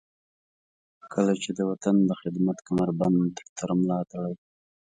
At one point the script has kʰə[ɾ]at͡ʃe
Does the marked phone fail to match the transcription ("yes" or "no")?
yes